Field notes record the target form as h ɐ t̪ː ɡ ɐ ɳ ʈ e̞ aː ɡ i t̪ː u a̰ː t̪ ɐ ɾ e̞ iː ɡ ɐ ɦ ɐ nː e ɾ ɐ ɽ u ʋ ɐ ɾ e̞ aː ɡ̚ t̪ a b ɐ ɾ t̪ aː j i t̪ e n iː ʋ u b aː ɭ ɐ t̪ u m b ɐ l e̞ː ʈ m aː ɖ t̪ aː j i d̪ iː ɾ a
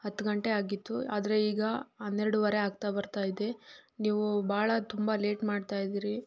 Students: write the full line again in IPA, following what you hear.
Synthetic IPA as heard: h ɐ t̪ː ɡ ɐ ɳ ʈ e̞ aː ɡ i t̪ː u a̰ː d̪ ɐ ɾ e̞ iː ɡ ɐ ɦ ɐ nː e ɾ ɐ ɽ u ʋ ɐ ɾ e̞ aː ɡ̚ t̪ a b ɐ ɾ t̪ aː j i d̪ e n iː ʋ u b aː ɭ ɐ t̪ u m b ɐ l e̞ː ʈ m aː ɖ t̪ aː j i d̪ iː ɾ i